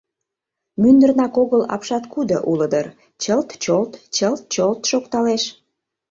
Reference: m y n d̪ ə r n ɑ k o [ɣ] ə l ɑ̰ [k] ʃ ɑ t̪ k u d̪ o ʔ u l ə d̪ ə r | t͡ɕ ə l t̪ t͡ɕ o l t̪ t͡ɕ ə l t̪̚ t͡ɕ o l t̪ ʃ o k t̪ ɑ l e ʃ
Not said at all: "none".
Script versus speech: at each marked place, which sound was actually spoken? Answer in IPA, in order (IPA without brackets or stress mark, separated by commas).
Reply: ɣ, p